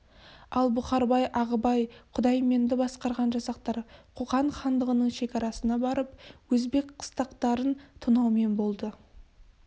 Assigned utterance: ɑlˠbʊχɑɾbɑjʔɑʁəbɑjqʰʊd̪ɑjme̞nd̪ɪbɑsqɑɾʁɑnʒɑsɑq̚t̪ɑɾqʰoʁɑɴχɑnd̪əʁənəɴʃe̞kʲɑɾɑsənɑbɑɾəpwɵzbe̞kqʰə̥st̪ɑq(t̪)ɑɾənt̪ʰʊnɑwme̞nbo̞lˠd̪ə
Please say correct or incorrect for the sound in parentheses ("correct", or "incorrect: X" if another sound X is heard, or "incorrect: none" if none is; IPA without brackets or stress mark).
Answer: correct